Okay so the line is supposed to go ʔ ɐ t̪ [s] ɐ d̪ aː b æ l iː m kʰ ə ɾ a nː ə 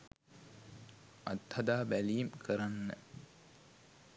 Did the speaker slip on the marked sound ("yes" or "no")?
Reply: yes